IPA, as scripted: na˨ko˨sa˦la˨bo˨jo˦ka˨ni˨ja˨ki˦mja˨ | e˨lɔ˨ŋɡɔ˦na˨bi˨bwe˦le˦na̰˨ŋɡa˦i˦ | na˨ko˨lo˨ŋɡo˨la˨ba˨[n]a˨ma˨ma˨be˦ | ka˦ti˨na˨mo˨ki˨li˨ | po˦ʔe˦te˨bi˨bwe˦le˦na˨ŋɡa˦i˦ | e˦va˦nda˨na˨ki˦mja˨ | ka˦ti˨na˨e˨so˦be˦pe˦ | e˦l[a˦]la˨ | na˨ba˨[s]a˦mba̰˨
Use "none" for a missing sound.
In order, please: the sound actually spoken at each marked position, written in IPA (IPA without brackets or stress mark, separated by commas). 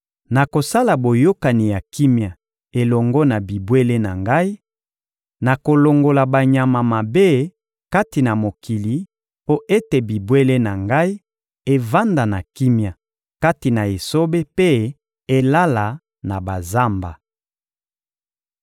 ɲ, a˦, z